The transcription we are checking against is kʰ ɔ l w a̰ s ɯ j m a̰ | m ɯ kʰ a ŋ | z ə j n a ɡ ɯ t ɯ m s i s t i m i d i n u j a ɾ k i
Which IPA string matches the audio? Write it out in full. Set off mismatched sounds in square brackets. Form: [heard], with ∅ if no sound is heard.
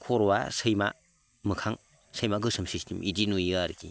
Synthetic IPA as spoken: kʰ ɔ [ɾ] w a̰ s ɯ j m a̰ | m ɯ kʰ a ŋ | [s] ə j [m] a ɡ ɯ [s] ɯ m s i s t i m i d i n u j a ɾ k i